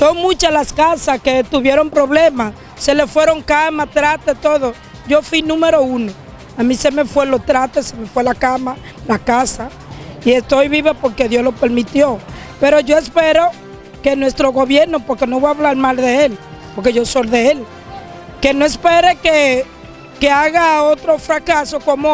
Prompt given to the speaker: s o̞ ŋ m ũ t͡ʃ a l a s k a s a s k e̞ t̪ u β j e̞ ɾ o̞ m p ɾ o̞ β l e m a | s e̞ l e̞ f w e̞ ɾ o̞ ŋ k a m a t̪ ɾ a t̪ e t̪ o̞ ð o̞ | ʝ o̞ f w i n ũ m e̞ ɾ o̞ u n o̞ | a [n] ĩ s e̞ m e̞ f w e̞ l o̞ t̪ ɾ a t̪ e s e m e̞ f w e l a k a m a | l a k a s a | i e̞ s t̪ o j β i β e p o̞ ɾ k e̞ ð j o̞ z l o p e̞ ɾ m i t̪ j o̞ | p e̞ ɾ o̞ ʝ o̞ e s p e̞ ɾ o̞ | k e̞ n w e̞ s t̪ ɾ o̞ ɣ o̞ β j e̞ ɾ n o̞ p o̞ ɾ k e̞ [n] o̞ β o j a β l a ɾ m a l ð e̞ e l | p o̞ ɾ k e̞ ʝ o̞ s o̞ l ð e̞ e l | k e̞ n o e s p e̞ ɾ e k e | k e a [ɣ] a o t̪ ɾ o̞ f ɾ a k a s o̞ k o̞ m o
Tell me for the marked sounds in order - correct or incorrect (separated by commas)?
incorrect, correct, correct